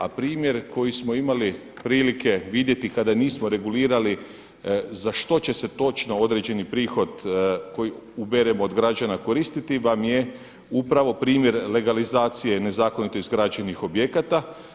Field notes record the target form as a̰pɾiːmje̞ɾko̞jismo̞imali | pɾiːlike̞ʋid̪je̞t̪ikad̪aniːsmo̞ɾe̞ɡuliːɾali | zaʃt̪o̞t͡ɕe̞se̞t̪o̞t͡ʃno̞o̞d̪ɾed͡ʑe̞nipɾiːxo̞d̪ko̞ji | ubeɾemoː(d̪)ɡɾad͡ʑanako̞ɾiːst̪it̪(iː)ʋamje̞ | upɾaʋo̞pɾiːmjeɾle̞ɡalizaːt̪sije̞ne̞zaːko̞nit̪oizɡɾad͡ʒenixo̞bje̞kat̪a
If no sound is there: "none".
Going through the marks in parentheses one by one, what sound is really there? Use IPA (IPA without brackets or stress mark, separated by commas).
d̪, i